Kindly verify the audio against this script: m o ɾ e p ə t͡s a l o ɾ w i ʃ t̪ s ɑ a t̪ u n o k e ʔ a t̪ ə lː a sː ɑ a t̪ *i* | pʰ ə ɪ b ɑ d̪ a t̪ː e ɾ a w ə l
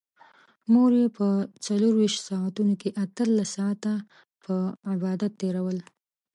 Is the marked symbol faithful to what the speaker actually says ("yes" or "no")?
no